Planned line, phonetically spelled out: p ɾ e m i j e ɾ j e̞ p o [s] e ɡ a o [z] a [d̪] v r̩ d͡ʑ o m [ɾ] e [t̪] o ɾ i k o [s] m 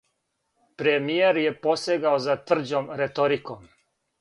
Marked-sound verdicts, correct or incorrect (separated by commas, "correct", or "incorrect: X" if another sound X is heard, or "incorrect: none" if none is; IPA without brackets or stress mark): correct, correct, incorrect: t̪, correct, correct, incorrect: none